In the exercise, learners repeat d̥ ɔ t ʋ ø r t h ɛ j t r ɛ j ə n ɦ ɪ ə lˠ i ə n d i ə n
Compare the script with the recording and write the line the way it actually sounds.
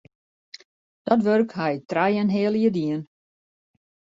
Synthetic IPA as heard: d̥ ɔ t ʋ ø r k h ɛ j t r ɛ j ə n ɦ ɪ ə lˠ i ə d i ə n

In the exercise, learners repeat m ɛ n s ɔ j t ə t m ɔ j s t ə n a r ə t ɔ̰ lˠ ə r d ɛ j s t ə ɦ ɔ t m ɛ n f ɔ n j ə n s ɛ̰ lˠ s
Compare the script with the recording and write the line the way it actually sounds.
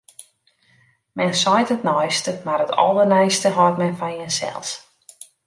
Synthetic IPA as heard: m ɛ n s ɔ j t ə t n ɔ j s t ə m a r ə t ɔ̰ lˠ ə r n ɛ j s t ə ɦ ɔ t m ɛ n f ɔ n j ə n s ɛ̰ lˠ s

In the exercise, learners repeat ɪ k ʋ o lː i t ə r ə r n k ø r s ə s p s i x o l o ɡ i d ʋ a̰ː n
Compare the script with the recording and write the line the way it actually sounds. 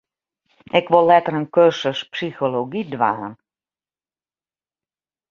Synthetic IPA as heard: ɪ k ʋ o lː ɛ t ə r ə n k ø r s ə s p s i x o l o ɡ i d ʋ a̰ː n

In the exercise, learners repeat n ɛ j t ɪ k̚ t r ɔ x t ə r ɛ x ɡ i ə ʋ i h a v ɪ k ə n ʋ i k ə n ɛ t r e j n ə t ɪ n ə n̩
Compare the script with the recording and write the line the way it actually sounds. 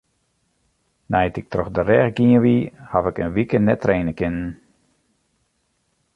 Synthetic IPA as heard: n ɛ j t ɪ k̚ t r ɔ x d ə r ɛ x ɡ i ə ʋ i h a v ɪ k ə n ʋ i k ə n ɛ t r e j n ə k ɪ n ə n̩

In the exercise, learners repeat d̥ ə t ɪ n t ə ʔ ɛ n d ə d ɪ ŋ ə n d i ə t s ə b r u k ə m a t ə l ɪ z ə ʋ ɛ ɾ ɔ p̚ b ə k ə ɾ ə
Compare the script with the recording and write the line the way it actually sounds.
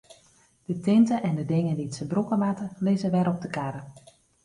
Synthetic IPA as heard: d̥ ə t ɪ n t ə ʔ ɛ n d ə d ɪ ŋ ə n d i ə t s ə b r u k ə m a t ə l ɪ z ə ʋ ɛ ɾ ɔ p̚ d ə k a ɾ ə

